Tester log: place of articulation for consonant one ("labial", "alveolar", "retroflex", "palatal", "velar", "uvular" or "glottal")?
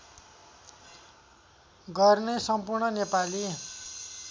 velar